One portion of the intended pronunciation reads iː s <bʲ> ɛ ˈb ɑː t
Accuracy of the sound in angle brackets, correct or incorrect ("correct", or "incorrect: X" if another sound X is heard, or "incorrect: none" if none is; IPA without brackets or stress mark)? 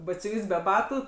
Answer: correct